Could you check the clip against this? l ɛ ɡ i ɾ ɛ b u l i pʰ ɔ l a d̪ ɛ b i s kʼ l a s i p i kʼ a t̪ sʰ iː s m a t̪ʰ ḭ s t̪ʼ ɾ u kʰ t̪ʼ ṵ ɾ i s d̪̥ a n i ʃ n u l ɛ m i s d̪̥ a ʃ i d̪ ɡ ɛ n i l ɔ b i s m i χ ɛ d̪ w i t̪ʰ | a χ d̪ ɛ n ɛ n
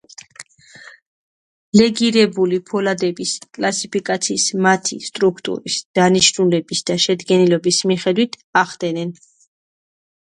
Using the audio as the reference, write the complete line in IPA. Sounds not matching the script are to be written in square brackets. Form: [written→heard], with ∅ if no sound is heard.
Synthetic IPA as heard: l ɛ ɡ i ɾ ɛ b u l i pʰ ɔ l a d̪ ɛ b i s kʼ l a s i p i kʼ a t̪ sʰ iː s m a t̪ʰ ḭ s t̪ʼ ɾ u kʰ t̪ʼ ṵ ɾ i s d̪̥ a n i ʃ n u l ɛ [m→b] i s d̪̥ a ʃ [i→ɛ] d̪ ɡ ɛ n i l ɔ b i s m i χ ɛ d̪ w i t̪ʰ | a χ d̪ ɛ n ɛ n